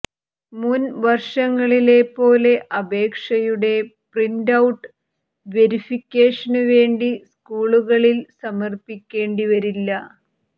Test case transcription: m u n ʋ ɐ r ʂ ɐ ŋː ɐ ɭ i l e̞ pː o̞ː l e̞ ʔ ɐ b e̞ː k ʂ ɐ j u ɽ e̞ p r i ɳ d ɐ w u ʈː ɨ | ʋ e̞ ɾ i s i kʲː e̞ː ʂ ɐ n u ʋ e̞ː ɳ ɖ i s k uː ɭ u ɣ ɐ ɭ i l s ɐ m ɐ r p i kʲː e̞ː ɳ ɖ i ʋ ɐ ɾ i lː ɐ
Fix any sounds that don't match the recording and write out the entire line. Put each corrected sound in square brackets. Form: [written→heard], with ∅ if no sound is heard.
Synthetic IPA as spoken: m u n ʋ ɐ r ʂ ɐ ŋː ɐ ɭ i l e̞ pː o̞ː l e̞ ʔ ɐ b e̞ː k ʂ ɐ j u ɽ e̞ p r i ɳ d ɐ w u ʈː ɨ | ʋ e̞ ɾ i [s→f] i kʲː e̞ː ʂ ɐ n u ʋ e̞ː ɳ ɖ i s k uː ɭ u ɣ ɐ ɭ i l s ɐ m ɐ r p i kʲː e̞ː ɳ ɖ i ʋ ɐ ɾ i lː ɐ